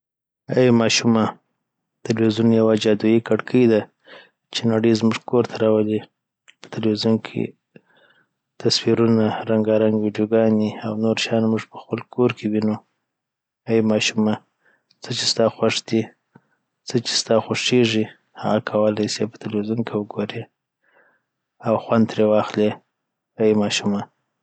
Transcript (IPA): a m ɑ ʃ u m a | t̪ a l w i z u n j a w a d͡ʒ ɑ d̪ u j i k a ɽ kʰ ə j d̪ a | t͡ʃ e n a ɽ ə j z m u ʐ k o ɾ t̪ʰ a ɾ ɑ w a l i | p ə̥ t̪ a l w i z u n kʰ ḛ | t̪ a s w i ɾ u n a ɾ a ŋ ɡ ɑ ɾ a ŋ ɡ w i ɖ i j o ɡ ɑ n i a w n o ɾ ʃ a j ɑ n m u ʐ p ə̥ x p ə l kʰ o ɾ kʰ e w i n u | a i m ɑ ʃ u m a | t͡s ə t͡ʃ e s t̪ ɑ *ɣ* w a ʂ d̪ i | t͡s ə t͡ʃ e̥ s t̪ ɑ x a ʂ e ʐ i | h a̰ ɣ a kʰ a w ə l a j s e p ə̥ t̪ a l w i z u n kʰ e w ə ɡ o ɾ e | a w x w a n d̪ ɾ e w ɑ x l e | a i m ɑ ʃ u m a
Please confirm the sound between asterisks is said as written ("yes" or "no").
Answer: no